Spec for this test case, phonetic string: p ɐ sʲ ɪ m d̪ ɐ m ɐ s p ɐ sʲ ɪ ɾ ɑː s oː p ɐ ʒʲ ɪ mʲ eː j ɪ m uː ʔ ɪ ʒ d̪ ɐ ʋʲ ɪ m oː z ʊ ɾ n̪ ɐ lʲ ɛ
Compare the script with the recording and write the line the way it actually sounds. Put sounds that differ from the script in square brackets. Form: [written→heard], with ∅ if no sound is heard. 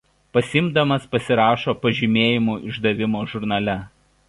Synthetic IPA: p ɐ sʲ ɪ m d̪ ɐ m ɐ s p ɐ sʲ ɪ ɾ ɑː [s→ʃ] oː p ɐ ʒʲ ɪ mʲ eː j ɪ m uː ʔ ɪ ʒ d̪ ɐ ʋʲ ɪ m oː [z→ʒ] ʊ ɾ n̪ ɐ lʲ ɛ